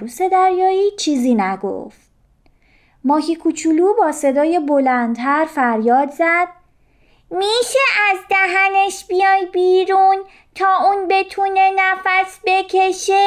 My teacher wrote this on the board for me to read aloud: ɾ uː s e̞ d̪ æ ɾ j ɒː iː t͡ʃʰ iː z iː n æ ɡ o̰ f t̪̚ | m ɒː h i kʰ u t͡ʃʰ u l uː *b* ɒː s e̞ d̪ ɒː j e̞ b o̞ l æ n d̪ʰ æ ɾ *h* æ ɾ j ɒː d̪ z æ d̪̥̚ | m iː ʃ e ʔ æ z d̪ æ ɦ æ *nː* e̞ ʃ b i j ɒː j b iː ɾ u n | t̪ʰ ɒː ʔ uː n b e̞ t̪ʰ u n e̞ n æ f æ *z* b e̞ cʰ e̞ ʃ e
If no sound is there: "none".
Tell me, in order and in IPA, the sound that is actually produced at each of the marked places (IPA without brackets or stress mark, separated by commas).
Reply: b, f, n, s